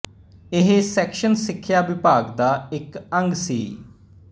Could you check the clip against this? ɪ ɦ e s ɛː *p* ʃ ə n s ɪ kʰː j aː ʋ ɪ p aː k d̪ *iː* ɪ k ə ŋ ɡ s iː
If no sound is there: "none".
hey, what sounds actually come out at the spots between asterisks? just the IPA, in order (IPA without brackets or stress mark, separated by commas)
k, aː